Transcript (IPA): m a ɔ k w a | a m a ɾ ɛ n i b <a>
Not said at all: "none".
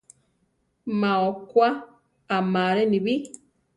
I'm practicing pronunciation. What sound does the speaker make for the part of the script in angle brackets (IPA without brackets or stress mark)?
i